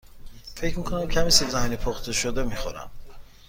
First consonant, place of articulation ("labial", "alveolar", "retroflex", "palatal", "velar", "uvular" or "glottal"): labial